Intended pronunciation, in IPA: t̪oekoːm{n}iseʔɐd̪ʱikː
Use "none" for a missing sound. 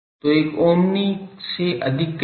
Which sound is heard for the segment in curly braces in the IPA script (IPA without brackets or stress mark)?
n